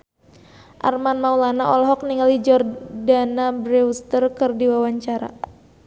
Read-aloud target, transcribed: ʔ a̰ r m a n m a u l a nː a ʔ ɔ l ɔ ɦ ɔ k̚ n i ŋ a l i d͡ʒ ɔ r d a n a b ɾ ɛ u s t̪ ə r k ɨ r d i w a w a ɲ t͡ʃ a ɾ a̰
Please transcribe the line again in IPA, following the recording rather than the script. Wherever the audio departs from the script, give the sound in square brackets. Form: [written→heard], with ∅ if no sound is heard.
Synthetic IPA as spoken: ʔ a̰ r m a n m a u l a [nː→n] a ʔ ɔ l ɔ ɦ ɔ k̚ n i ŋ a l i d͡ʒ ɔ r d a n a b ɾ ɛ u s t̪ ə r k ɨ r d i w a w a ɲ t͡ʃ a ɾ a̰